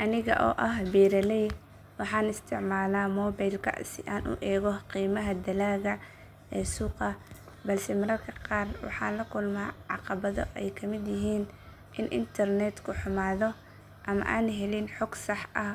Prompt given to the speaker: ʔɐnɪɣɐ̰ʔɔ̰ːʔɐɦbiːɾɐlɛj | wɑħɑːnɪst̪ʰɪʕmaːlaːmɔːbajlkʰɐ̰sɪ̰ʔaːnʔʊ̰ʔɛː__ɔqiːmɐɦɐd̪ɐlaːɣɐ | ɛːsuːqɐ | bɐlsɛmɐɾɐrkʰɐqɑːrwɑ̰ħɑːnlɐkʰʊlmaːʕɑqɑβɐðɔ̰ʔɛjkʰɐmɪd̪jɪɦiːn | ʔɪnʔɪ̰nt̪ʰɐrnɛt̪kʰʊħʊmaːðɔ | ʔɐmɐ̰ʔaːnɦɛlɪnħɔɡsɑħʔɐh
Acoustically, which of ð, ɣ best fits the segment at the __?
ɣ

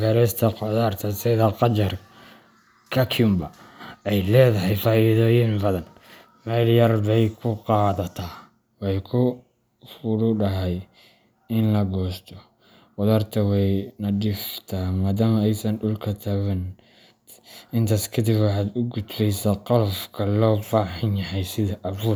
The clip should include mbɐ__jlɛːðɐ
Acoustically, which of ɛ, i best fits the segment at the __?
ɛ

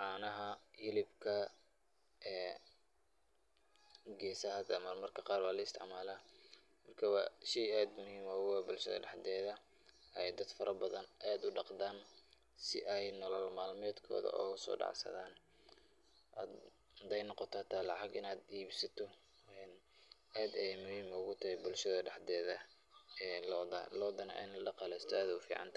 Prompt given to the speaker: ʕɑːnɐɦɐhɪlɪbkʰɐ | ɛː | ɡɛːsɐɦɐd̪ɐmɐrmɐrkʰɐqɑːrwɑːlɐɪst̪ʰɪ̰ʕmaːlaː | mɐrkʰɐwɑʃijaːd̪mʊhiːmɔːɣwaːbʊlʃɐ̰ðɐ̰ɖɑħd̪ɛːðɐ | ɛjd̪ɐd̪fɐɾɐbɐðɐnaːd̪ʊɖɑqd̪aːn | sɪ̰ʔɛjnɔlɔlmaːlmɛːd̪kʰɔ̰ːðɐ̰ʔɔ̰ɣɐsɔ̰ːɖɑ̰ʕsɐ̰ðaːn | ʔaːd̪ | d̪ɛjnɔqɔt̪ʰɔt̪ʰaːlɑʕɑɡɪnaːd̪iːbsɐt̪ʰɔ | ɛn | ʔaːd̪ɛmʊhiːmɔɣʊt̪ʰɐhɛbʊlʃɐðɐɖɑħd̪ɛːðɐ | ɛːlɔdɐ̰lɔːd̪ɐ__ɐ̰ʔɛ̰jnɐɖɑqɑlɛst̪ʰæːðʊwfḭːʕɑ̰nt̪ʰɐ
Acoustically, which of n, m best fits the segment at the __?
n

